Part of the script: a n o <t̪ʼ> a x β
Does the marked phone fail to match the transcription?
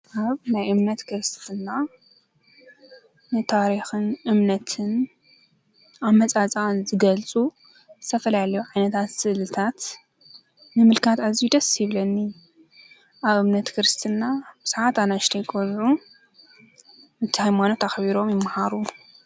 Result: yes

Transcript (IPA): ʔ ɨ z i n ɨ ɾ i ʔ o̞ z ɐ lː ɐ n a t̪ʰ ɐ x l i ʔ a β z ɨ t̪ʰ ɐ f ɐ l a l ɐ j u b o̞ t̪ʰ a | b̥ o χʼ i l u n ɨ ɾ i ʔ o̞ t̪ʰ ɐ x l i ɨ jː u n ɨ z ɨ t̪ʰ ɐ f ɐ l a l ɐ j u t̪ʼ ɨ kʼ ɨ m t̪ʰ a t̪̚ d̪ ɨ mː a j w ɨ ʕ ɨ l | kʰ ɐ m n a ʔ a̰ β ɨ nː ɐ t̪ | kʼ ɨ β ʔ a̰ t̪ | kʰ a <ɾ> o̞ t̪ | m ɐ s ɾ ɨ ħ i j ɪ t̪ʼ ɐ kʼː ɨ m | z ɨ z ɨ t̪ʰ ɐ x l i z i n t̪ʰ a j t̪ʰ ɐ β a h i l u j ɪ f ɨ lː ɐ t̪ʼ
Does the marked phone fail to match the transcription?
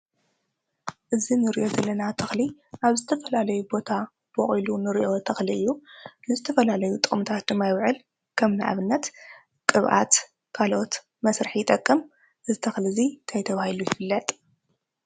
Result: yes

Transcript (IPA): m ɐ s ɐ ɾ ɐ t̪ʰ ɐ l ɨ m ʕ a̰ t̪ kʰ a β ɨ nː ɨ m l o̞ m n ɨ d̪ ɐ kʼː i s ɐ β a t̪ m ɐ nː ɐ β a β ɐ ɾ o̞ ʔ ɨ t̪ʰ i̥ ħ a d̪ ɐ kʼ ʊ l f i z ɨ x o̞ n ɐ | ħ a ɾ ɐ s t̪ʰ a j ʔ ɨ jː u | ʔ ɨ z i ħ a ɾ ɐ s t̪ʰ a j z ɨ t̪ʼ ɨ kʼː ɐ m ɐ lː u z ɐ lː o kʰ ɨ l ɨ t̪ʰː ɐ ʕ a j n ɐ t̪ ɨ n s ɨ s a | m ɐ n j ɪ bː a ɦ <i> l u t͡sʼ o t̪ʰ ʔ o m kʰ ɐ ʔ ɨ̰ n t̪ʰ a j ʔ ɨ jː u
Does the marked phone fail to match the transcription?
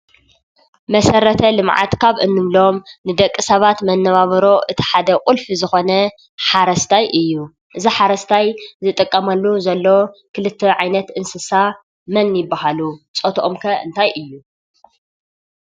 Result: yes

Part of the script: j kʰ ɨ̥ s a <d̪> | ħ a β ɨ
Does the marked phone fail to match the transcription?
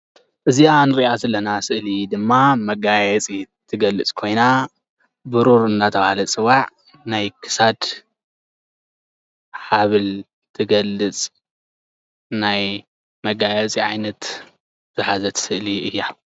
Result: no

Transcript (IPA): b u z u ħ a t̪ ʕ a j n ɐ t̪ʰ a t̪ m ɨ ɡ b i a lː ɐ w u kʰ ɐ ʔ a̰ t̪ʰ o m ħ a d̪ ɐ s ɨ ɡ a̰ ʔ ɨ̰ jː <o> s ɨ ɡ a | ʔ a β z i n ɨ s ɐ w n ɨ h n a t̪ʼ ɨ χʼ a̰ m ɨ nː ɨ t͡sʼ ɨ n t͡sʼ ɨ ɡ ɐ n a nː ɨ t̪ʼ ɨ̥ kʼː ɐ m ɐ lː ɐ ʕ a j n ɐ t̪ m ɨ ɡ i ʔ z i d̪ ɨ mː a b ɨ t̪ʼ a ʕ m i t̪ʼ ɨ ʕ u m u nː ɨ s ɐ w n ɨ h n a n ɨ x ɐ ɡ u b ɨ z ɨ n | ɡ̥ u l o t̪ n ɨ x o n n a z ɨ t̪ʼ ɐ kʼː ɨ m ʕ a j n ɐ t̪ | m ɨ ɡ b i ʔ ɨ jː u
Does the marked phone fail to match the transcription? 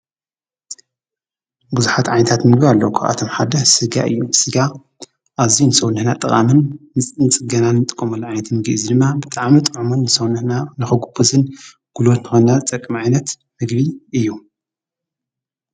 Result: yes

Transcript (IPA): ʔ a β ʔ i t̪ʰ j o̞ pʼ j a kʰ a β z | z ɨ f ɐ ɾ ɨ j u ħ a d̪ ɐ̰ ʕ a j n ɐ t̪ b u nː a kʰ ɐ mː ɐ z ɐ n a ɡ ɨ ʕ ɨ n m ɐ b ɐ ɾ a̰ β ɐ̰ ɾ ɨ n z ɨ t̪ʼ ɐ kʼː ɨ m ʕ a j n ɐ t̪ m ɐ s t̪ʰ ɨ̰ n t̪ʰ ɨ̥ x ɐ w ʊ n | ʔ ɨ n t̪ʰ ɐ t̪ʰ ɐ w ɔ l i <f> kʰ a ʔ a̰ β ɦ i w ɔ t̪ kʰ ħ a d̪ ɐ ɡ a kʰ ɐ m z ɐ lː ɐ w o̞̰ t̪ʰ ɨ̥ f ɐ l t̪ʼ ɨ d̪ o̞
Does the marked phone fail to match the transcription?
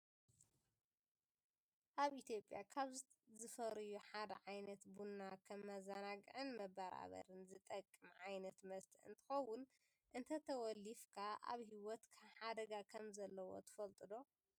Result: no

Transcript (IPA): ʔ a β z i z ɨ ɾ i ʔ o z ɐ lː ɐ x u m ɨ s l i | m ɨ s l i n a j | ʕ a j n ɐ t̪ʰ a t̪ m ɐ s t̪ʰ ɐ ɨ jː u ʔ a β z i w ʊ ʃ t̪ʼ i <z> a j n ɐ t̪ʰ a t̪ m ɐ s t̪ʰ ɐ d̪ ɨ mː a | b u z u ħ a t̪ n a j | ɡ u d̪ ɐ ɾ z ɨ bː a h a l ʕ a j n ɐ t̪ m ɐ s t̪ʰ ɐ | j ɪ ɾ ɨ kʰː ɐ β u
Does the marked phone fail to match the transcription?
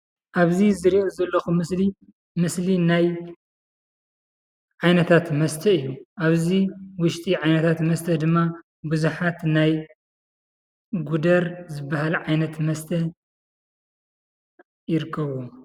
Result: yes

